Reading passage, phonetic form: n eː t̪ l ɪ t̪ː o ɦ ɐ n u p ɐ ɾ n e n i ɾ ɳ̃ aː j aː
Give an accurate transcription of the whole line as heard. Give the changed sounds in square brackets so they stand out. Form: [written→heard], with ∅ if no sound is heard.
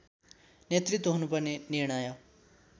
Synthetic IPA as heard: n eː t̪ [l→ɾ] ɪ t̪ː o ɦ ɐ n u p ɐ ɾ n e n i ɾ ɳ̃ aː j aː